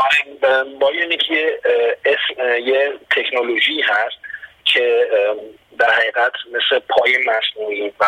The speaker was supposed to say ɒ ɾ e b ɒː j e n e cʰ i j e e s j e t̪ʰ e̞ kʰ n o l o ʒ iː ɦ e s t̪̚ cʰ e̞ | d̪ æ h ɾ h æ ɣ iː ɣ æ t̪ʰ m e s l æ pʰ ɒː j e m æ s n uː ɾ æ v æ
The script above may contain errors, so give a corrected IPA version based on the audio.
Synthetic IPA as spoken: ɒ ɾ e b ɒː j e n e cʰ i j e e s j e t̪ʰ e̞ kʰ n o l o ʒ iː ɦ æ s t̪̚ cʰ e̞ | d̪ æ ɾ h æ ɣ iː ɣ æ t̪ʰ m e s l e pʰ ɒː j e m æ s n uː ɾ i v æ